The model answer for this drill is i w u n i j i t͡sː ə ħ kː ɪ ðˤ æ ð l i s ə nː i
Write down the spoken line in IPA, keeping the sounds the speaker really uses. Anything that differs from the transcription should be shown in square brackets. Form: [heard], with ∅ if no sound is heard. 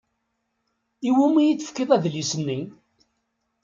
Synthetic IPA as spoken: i w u [m] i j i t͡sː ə [f] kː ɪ ðˤ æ ð l i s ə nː i